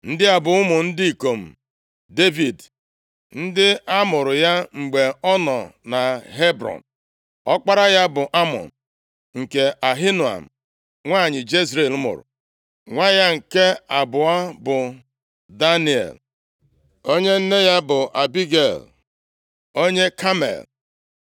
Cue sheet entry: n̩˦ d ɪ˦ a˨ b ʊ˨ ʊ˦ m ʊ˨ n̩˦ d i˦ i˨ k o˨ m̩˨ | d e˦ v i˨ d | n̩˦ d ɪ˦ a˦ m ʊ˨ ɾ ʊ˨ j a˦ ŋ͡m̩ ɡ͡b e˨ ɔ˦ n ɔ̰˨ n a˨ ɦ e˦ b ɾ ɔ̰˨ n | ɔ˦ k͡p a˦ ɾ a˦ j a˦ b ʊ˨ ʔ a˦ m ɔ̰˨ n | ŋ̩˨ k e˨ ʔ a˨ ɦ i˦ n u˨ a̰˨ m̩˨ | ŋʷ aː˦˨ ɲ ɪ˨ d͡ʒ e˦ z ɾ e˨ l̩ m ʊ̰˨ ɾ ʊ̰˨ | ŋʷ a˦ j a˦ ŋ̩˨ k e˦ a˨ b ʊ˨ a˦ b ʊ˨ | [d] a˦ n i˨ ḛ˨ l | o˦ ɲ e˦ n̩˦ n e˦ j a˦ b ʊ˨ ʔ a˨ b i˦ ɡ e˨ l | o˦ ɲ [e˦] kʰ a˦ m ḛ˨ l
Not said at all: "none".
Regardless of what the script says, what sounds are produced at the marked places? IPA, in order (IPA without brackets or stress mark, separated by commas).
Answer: d, e˦